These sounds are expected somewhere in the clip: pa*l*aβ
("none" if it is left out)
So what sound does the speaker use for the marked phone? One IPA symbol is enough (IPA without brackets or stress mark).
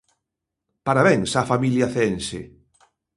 ɾ